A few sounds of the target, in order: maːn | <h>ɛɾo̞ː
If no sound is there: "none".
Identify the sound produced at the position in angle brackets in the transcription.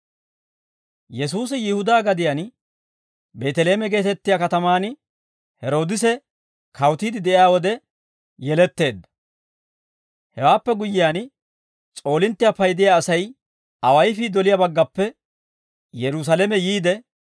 h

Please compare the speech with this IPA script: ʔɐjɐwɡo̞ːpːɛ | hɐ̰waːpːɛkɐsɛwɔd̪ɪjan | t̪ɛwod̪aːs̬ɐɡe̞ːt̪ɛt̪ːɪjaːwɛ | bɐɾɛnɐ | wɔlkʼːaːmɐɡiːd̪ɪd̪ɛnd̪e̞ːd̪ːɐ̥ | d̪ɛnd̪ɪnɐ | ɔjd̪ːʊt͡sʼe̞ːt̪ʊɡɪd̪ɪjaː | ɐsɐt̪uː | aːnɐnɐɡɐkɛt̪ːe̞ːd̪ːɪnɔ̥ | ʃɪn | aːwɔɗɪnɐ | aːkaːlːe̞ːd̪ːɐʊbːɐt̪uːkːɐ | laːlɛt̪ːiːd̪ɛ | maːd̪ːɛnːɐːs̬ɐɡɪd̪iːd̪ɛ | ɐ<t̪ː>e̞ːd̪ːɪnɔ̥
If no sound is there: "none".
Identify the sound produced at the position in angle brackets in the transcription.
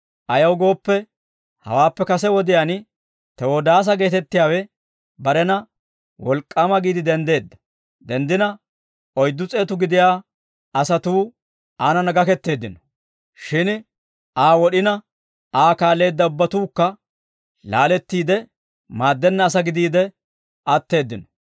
t̪ː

